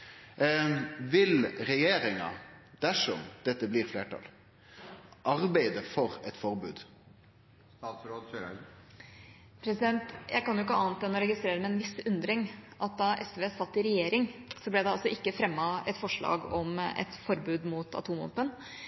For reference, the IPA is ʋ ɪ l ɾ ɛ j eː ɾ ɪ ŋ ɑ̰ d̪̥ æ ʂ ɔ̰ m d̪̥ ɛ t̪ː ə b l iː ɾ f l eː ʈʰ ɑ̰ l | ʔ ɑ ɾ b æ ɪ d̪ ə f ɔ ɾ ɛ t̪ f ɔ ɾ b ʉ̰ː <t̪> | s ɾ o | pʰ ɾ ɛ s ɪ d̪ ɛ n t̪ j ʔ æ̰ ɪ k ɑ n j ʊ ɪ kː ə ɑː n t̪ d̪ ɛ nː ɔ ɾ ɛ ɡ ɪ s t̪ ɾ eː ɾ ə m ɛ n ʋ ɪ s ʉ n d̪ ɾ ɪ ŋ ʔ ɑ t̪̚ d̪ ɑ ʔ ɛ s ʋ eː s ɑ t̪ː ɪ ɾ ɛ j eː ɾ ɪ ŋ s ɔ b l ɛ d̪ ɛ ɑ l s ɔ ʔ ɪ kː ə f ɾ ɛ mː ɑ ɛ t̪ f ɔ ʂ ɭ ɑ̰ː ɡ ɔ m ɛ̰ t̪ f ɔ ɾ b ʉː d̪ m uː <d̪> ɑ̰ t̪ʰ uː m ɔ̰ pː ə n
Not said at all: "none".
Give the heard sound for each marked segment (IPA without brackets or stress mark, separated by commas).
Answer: d̪, t̪